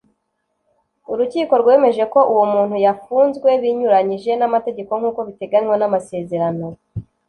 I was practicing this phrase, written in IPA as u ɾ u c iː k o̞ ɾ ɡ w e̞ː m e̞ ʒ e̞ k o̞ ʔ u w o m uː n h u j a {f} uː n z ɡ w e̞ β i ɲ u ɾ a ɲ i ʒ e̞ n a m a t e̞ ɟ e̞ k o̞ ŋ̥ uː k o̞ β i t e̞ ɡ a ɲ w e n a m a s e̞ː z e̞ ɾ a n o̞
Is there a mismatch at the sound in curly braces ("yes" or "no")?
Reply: no